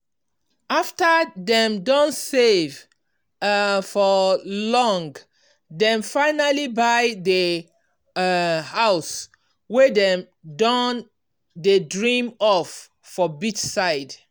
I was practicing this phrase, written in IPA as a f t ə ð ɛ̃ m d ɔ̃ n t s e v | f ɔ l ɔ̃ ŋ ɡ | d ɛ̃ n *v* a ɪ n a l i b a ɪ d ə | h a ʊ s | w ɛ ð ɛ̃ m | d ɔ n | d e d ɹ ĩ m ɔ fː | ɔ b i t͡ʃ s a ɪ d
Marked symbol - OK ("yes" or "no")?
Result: no